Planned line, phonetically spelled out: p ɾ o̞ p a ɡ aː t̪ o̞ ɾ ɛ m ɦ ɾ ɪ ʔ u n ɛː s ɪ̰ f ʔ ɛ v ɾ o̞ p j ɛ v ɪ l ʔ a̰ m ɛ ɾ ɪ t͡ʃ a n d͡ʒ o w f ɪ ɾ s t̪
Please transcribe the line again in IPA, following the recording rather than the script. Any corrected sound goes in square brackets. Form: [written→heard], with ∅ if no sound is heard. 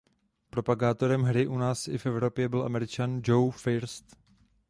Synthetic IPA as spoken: p ɾ o̞ p a ɡ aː t̪ o̞ ɾ ɛ m ɦ ɾ ɪ ʔ u n [ɛː→aː] s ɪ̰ f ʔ ɛ v ɾ o̞ p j ɛ [v→b] ɪ l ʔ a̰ m ɛ ɾ ɪ t͡ʃ a n d͡ʒ o w f ɪ ɾ s t̪